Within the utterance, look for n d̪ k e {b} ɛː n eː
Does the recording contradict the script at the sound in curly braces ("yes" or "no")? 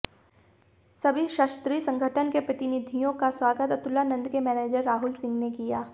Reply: yes